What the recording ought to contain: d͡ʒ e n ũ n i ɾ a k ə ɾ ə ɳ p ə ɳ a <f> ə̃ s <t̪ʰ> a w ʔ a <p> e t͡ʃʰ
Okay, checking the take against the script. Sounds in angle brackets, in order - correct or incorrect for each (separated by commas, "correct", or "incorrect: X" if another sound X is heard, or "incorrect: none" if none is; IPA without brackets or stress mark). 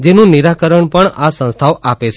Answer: incorrect: s, correct, correct